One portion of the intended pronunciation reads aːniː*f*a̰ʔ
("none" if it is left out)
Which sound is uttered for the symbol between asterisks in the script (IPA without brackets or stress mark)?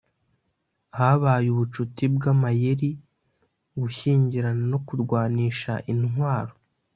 ʃ